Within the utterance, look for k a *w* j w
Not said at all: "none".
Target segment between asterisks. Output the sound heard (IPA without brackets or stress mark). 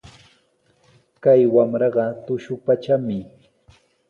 none